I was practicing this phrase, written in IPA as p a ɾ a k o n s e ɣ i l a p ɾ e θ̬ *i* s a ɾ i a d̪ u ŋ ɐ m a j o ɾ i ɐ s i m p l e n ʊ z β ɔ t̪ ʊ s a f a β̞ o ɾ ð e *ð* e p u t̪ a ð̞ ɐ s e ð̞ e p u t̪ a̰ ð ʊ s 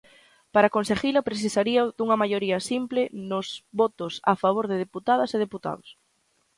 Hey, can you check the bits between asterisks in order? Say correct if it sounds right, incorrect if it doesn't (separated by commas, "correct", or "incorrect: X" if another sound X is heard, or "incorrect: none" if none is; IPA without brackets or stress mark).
correct, correct